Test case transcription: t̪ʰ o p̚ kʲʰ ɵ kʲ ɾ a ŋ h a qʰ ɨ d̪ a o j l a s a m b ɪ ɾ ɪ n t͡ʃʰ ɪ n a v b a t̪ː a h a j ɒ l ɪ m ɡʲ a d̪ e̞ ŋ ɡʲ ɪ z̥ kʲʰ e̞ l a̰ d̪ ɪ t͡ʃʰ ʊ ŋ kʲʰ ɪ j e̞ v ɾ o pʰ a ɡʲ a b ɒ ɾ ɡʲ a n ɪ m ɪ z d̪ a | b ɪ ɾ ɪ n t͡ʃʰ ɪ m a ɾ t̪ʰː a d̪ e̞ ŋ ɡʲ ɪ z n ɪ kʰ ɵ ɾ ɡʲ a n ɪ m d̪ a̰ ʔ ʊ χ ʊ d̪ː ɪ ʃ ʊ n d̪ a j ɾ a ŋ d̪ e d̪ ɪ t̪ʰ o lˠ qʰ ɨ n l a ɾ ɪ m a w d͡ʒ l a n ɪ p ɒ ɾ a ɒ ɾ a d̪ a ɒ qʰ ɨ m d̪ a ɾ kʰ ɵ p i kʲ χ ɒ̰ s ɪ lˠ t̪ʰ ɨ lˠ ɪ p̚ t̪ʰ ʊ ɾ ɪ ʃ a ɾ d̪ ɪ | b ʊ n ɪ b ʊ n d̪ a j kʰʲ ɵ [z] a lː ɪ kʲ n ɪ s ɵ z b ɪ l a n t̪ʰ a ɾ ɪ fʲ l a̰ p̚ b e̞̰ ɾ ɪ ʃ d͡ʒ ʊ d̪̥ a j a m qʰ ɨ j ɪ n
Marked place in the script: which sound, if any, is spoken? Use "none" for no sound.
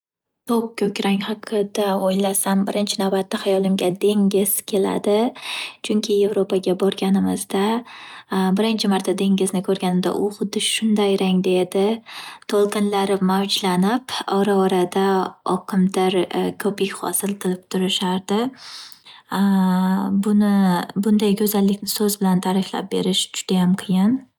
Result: z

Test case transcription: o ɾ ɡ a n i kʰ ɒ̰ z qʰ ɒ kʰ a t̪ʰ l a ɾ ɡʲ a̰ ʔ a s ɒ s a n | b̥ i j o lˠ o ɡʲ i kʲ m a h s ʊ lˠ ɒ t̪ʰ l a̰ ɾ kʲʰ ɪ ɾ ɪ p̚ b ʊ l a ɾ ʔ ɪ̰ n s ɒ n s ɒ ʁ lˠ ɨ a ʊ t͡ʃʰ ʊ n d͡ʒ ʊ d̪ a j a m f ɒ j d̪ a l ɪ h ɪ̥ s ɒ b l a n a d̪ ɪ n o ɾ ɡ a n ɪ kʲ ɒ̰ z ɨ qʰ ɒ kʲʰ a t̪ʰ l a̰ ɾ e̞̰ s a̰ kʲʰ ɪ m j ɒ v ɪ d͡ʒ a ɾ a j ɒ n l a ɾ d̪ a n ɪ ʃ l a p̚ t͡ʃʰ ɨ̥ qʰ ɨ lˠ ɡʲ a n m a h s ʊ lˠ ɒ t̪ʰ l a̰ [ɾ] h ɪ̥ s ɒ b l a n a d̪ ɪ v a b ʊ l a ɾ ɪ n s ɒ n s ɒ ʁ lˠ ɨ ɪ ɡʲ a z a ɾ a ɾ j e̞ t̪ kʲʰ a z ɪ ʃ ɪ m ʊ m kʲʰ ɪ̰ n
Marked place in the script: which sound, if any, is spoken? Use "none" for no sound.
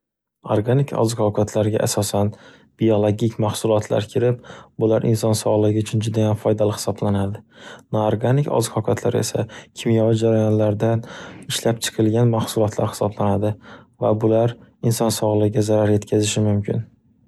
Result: ɾ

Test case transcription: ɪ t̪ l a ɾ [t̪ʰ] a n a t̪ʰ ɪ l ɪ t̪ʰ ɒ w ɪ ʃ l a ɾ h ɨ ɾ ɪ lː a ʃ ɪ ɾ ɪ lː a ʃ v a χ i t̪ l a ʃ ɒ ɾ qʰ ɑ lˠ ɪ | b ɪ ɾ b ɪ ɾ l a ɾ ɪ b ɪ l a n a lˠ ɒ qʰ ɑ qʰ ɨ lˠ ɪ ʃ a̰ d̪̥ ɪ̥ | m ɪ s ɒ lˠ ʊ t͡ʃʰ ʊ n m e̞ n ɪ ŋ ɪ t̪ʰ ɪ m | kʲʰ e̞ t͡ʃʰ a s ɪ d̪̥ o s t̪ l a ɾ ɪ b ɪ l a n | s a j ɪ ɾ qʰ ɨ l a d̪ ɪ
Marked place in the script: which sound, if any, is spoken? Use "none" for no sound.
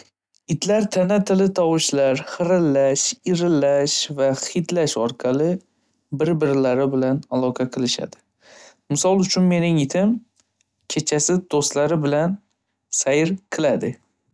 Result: t̪ʰ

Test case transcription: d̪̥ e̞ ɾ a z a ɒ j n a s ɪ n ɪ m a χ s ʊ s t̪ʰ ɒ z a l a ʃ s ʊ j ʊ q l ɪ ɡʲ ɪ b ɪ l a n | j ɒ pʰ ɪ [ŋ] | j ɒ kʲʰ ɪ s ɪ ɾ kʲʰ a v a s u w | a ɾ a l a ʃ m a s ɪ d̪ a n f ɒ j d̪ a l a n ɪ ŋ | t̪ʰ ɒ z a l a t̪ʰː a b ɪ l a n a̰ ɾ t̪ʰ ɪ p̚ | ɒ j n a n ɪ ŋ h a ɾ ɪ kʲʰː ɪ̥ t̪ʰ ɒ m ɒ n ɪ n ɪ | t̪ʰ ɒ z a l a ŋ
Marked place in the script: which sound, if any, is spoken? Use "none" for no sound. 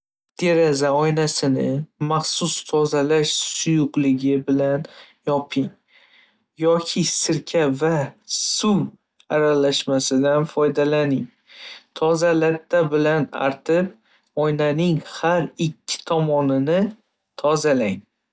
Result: ŋ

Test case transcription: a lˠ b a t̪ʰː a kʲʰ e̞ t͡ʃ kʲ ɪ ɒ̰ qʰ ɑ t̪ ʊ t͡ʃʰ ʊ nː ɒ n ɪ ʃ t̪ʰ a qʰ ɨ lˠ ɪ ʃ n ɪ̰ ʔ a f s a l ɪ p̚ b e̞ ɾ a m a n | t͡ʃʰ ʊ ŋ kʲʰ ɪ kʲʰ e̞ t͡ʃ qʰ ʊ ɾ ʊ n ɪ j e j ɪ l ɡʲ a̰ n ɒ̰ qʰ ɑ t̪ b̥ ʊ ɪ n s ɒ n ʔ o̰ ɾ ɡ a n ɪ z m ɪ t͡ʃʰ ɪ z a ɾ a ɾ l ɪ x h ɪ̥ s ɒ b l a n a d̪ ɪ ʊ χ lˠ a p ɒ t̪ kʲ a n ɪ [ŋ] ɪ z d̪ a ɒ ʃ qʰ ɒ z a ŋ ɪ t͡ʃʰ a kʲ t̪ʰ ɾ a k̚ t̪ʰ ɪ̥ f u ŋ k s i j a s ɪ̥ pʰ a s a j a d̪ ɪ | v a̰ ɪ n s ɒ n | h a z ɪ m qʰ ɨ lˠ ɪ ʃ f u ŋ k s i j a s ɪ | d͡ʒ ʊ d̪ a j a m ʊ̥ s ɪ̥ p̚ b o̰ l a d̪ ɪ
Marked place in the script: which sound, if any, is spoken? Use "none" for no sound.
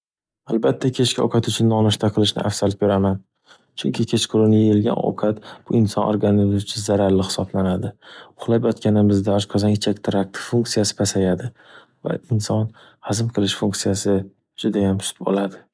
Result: m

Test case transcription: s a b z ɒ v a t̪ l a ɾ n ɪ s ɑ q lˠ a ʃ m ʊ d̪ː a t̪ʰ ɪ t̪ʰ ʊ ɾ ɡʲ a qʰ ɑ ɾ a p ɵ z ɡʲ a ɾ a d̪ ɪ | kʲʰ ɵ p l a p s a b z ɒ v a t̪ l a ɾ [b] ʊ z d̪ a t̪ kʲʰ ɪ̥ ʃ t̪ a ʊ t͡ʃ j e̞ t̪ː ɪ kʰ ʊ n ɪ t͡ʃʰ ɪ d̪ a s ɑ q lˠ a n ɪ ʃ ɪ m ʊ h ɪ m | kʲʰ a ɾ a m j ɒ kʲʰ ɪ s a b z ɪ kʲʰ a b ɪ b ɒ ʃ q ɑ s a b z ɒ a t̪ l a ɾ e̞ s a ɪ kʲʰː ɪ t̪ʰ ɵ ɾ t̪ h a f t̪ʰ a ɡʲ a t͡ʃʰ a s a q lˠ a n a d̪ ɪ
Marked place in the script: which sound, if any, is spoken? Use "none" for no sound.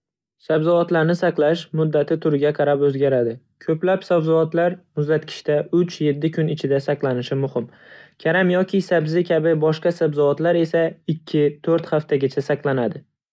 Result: m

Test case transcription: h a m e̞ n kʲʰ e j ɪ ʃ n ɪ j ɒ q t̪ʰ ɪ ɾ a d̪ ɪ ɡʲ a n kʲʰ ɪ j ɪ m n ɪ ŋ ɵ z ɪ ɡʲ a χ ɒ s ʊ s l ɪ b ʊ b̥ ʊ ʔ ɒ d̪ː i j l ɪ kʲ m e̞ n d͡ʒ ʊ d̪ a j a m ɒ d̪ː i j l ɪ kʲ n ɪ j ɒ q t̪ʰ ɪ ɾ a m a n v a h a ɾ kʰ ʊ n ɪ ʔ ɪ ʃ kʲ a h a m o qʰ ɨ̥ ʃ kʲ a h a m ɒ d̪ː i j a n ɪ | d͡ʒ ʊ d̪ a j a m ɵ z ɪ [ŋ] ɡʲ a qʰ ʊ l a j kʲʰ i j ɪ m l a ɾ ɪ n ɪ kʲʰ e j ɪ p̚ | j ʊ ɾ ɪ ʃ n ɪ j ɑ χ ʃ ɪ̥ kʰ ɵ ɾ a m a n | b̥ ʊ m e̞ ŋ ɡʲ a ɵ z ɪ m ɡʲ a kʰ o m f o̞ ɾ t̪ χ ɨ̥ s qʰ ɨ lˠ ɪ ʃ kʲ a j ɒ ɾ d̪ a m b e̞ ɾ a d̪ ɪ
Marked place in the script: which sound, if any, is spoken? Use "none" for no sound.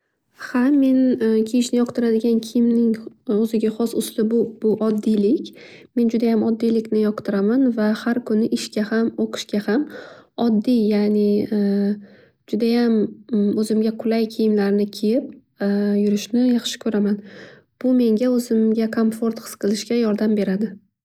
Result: m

